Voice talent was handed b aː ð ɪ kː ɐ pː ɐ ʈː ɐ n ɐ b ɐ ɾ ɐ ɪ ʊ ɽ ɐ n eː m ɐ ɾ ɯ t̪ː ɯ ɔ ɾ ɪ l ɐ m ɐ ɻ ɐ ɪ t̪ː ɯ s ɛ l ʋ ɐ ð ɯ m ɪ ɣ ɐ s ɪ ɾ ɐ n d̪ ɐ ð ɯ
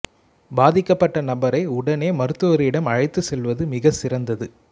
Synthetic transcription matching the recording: b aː ð ɪ kː ɐ pː ɐ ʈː ɐ n ɐ b ɐ ɾ ɐ ɪ ʊ ɽ ɐ n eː m ɐ ɾ ɯ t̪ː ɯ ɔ ɾ ɪ ɽ ɐ m ɐ ɻ ɐ ɪ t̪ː ɯ s ɛ l ʋ ɐ ð ɯ m ɪ ɣ ɐ s ɪ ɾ ɐ n d̪ ɐ ð ɯ

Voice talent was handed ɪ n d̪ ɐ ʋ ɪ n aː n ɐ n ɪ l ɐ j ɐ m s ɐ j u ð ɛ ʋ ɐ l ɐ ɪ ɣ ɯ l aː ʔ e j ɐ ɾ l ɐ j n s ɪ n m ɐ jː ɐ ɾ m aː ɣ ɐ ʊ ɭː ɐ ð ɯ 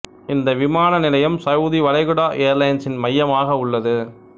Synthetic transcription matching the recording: ɪ n d̪ ɐ ʋ ɪ m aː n ɐ n ɪ l ɐ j ɐ m s ɐ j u ð i ʋ ɐ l ɐ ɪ ɣ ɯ ɽ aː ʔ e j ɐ ɾ l ɐ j n s ɪ n m ɐ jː ɐ m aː ɣ ɐ ʊ ɭː ɐ ð ɯ

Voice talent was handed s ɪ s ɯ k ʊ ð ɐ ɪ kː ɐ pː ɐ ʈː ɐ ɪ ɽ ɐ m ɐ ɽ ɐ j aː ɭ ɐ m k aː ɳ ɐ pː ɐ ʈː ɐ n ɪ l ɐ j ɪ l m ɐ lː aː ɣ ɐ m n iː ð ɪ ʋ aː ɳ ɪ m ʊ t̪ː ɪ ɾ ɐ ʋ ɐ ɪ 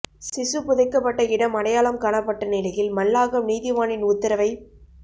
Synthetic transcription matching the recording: s ɪ s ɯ p ʊ ð ɐ ɪ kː ɐ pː ɐ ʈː ɐ ɪ ɽ ɐ m ɐ ɽ ɐ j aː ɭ ɐ m k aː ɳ ɐ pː ɐ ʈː ɐ n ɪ l ɐ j ɪ l m ɐ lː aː ɣ ɐ m n iː ð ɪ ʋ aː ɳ ɪ n ʊ t̪ː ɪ ɾ ɐ ʋ ɐ ɪ

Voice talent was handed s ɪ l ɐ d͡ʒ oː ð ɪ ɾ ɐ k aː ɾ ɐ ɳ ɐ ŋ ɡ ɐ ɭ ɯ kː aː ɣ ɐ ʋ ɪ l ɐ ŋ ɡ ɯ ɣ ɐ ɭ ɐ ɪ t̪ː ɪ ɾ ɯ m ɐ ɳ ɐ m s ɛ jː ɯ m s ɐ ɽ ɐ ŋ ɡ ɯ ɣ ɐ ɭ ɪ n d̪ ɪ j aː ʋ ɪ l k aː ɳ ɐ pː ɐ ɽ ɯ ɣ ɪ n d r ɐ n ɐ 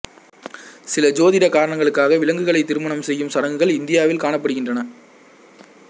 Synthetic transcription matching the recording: s ɪ l ɐ d͡ʒ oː ð ɪ ɾ ɐ k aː ɾ ɐ ɳ ɐ ŋ ɡ ɐ ɭ ɯ kː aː ɣ ɐ ʋ ɪ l ɐ ŋ ɡ ɯ ɣ ɐ ɭ ɐ ɪ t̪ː ɪ ɾ ɯ m ɐ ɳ ɐ m s ɛ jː ɯ m s ɐ ɽ ɐ ŋ ɡ ɯ ɣ ɐ ɭ ɪ n d̪ ɪ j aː ʋ ɪ l k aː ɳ ɐ pː ɐ ɽ ɯ ɣ ɪ n d r ɐ n ɐ

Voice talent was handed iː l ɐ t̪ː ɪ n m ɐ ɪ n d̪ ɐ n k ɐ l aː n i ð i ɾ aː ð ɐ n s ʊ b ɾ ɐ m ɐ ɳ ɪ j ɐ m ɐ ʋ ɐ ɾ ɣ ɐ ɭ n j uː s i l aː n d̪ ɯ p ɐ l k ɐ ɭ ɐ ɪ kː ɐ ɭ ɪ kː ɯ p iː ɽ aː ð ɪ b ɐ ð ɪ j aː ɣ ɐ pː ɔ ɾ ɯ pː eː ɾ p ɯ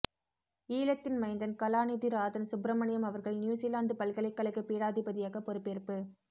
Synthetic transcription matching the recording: iː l ɐ t̪ː ɪ n m ɐ ɪ n d̪ ɐ n k ɐ l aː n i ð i ɾ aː ð ɐ n s ʊ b ɾ ɐ m ɐ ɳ ɪ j ɐ m ɐ ʋ ɐ ɾ ɣ ɐ ɭ n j uː s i l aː n d̪ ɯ p ɐ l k ɐ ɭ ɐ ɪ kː ɐ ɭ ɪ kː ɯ p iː ɽ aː ð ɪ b ɐ ð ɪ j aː ɣ ɐ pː ɔ ɾ ɯ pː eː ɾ p ɯ

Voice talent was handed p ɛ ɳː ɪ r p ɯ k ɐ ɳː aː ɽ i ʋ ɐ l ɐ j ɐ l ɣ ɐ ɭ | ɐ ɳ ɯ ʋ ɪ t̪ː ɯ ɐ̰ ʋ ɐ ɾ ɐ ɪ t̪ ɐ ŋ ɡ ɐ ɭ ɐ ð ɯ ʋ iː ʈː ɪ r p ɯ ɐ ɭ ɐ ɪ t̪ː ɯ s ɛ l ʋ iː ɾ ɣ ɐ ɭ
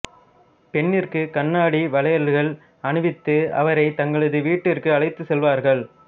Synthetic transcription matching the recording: p ɛ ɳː ɪ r k ɯ k ɐ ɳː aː ɽ i ʋ ɐ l ɐ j ɐ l ɣ ɐ ɭ | ɐ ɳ ɯ ʋ ɪ t̪ː ɯ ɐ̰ ʋ ɐ ɾ ɐ ɪ t̪ ɐ ŋ ɡ ɐ ɭ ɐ ð ɯ ʋ iː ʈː ɪ r k ɯ ɐ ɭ ɐ ɪ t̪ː ɯ s ɛ l ʋ aː ɾ ɣ ɐ ɭ

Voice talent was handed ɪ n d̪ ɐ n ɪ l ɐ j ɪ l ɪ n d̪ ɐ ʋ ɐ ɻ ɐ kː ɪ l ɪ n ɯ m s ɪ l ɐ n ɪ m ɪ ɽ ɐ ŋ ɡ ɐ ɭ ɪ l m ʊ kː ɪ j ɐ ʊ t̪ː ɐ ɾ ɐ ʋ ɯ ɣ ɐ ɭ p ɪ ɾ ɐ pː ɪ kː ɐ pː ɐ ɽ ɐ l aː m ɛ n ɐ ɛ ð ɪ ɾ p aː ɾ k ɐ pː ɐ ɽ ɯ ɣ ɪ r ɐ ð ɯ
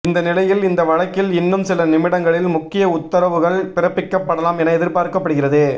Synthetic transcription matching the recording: ɪ n d̪ ɐ n ɪ l ɐ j ɪ l ɪ n d̪ ɐ ʋ ɐ ɻ ɐ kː ɪ l ɪ nː ɯ m s ɪ l ɐ n ɪ m ɪ ɽ ɐ ŋ ɡ ɐ ɭ ɪ l m ʊ kː ɪ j ɐ ʊ t̪ː ɐ ɾ ɐ ʋ ɯ ɣ ɐ ɭ p ɪ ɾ ɐ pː ɪ kː ɐ pː ɐ ɽ ɐ l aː m ɛ n ɐ ɛ ð ɪ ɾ p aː ɾ k ɐ pː ɐ ɽ ɯ ɣ ɪ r ɐ ð ɯ

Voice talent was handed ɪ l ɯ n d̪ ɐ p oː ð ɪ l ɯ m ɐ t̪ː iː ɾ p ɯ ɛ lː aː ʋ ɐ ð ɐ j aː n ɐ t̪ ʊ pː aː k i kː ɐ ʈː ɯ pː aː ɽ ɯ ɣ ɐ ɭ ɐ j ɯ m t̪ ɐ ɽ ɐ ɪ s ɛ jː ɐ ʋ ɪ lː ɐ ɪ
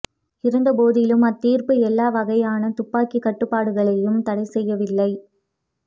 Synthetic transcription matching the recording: ɪ ɾ ɯ n d̪ ɐ p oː ð ɪ l ɯ m ɐ t̪ː iː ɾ p ɯ ɛ lː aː ʋ ɐ ɣ ɐ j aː n ɐ t̪ ʊ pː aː k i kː ɐ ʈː ɯ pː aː ɽ ɯ ɣ ɐ ɭ ɐ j ɯ m t̪ ɐ ɽ ɐ ɪ s ɛ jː ɐ ʋ ɪ lː ɐ ɪ

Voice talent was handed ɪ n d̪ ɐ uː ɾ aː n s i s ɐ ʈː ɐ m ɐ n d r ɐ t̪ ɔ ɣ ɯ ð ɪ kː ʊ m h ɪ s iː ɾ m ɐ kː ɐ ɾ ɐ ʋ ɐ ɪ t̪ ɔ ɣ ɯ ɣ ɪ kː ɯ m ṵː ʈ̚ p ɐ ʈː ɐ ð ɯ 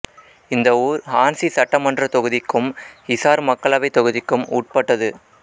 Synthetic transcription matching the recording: ɪ n d̪ ɐ uː ɾ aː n s i s ɐ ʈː ɐ m ɐ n d r ɐ t̪ ɔ ɣ ɯ ð ɪ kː ɯ m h ɪ s aː ɾ m ɐ kː ɐ ɭ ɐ ʋ ɐ ɪ t̪ ɔ ɣ ɯ ð ɪ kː ɯ m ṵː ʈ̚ p ɐ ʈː ɐ ð ɯ

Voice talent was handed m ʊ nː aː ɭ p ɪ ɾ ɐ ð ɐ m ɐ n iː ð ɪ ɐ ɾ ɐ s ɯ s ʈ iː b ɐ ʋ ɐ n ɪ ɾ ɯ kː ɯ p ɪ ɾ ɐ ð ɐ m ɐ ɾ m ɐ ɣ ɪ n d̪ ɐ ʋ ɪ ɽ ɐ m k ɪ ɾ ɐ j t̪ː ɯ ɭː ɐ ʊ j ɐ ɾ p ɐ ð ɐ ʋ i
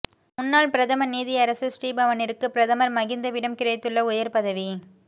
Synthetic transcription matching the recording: m ʊ nː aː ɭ p ɪ ɾ ɐ ð ɐ m ɐ n iː ð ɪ ɐ ɾ ɐ s ɯ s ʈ iː b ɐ ʋ ɐ n ɪ ɾ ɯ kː ɯ p ɪ ɾ ɐ ð ɐ m ɐ ɾ m ɐ ɣ ɪ n d̪ ɐ ʋ ɪ ɽ ɐ m k ɪ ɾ ɐ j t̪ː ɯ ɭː ɐ ʊ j ɐ ɾ p ɐ ð ɐ ʋ i

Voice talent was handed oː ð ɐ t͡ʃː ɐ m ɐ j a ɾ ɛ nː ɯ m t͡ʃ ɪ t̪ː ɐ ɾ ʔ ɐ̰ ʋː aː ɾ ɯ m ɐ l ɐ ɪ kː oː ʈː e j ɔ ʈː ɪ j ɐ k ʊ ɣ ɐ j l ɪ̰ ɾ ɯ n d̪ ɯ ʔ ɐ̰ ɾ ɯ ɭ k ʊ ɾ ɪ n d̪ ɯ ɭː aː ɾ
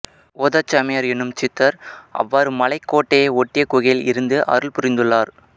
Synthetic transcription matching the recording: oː ð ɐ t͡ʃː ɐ m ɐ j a ɾ ɛ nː ɯ m t͡ʃ ɪ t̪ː ɐ ɾ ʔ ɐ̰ ʋː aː ɾ ɯ m ɐ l ɐ ɪ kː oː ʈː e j ɔ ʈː ɪ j ɐ k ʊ ɣ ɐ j l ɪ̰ ɾ ɯ n d̪ ɯ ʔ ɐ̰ ɾ ɯ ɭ p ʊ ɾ ɪ n d̪ ɯ ɭː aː ɾ

